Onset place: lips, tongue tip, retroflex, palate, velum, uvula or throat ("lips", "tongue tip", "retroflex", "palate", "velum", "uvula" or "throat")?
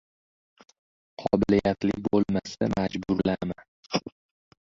uvula